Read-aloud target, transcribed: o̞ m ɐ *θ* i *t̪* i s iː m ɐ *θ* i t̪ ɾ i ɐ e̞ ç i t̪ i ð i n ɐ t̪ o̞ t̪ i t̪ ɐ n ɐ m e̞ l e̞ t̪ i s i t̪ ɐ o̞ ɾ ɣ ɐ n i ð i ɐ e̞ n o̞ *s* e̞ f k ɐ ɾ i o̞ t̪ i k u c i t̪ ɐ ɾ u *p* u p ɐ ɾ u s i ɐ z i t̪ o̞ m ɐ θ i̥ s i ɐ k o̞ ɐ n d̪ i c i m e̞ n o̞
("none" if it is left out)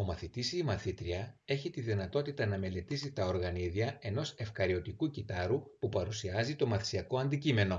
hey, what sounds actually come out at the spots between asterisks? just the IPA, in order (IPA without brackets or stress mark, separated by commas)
θ, t̪, θ, s, p